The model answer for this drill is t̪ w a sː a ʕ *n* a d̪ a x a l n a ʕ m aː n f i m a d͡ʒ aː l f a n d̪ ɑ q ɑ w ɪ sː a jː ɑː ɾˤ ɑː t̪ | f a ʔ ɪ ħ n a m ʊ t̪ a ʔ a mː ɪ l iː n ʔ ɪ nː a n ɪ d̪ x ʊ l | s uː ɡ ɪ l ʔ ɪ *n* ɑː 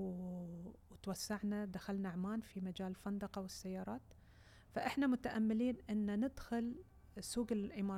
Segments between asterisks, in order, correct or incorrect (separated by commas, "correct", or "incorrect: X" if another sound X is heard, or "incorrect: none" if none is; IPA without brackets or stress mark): correct, incorrect: m